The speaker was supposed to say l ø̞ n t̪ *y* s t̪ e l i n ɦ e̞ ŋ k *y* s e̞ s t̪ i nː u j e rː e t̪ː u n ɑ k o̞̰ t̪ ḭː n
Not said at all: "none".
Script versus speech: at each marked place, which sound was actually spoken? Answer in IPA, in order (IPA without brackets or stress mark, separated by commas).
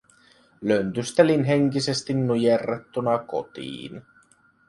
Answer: y, i